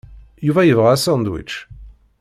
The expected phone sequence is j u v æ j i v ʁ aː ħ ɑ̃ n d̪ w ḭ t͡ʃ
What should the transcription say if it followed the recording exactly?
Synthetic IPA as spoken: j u v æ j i v ʁ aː s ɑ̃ n d̪ w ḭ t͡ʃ